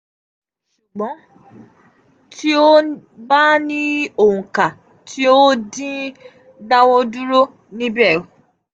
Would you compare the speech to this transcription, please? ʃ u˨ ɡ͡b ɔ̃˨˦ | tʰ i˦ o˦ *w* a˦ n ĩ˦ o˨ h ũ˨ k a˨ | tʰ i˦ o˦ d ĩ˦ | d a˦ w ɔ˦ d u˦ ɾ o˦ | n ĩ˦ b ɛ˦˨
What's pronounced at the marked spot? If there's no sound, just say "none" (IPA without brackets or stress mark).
b